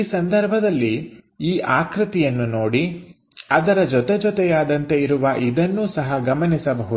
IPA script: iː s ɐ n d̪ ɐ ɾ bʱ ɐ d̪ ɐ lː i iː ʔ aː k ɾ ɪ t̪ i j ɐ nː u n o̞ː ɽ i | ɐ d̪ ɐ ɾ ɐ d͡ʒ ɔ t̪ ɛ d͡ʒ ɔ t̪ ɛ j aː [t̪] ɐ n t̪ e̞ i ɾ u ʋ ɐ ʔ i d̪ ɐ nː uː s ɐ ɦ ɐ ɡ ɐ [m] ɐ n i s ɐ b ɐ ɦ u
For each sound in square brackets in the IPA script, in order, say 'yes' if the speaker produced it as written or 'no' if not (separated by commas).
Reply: no, yes